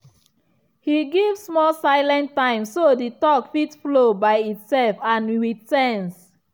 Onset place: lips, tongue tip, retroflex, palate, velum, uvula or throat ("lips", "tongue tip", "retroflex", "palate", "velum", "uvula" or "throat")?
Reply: throat